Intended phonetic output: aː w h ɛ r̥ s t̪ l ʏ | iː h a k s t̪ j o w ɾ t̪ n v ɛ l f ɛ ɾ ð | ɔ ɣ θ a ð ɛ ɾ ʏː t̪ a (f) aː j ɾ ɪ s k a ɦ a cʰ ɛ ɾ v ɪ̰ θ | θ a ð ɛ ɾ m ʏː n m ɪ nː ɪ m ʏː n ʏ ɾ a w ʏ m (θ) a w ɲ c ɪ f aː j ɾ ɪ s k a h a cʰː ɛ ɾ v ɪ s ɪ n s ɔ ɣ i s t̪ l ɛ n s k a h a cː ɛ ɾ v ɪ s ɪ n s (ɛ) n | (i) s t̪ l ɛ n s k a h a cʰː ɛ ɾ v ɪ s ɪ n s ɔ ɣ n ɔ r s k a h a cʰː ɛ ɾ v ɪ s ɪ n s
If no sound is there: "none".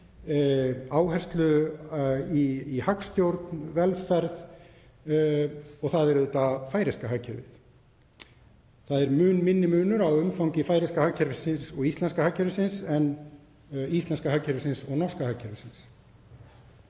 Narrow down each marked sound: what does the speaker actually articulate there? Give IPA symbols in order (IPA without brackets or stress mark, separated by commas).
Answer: f, f, ɛ, i